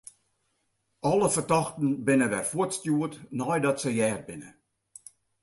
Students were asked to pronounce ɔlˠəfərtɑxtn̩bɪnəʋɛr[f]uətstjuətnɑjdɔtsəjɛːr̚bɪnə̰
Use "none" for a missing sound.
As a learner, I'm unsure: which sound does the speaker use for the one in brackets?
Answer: f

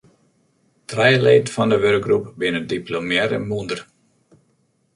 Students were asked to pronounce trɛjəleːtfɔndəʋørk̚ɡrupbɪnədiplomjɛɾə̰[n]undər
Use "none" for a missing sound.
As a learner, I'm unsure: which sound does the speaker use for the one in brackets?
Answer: m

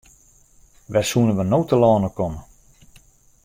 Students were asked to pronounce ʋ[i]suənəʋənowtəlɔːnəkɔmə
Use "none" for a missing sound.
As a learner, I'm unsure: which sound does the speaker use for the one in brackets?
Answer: ɛ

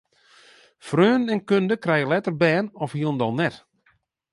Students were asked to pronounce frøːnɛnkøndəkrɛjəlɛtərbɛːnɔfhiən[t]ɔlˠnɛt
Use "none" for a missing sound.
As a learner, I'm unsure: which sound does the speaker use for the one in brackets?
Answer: d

